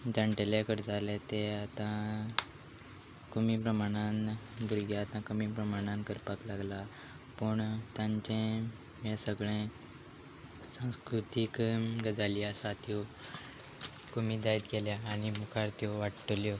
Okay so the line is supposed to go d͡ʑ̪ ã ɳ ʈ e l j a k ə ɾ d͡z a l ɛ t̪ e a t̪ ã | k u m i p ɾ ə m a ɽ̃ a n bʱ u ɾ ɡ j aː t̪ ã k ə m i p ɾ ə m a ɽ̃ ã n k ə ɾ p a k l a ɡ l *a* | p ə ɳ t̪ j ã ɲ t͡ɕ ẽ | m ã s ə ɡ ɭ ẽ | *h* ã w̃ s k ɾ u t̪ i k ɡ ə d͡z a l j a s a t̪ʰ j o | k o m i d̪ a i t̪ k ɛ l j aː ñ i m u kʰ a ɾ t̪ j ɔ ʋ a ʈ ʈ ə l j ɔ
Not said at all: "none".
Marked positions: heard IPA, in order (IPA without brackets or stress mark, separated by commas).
a, s